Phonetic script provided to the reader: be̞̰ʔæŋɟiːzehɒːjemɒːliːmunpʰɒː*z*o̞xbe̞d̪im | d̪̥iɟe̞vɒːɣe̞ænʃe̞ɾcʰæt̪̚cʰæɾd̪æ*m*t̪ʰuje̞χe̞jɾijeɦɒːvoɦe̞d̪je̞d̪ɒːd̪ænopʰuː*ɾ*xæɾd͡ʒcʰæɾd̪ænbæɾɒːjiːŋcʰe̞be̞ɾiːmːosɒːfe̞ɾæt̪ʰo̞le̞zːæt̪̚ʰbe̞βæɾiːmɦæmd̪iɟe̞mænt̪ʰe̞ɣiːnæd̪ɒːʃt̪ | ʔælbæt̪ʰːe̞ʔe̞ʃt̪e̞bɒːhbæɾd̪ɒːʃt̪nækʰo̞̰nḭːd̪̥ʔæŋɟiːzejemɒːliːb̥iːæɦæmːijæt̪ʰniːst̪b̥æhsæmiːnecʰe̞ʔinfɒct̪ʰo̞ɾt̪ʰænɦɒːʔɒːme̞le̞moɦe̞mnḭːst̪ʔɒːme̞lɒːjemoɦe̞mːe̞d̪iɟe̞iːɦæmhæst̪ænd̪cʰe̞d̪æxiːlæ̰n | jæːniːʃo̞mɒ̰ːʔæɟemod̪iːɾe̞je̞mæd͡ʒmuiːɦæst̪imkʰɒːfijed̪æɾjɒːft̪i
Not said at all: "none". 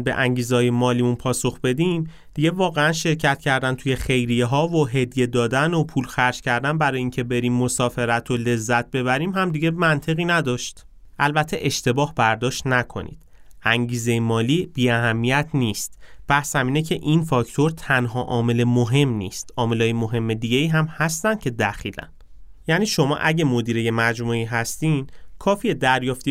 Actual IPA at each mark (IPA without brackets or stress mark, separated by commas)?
s, n, l